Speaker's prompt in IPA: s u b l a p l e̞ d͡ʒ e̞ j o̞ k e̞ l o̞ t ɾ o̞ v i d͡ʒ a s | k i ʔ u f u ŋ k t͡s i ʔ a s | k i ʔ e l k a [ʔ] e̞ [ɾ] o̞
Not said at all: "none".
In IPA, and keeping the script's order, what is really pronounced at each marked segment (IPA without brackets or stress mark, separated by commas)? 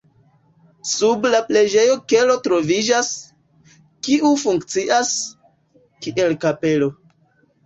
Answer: p, l